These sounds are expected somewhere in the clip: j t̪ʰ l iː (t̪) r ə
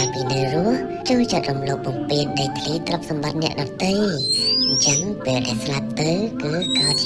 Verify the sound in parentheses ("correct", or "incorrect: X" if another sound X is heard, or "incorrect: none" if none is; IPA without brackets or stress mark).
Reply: correct